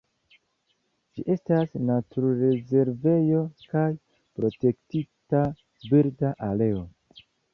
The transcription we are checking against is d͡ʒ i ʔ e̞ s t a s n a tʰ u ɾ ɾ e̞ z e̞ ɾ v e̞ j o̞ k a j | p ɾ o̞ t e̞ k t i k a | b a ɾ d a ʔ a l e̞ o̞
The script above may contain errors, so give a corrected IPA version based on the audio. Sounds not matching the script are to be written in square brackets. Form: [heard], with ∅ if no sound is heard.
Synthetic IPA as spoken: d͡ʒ i ʔ e̞ s t a s n a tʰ u ɾ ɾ e̞ z e̞ ɾ v e̞ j o̞ k a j | p ɾ o̞ t e̞ k t i [t] a | b [i] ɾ d a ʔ a l e̞ o̞